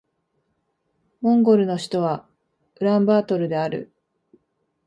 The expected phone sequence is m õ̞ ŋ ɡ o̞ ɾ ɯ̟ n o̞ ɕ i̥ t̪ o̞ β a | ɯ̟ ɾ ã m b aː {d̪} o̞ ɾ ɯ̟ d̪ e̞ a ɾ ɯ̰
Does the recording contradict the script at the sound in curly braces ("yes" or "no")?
yes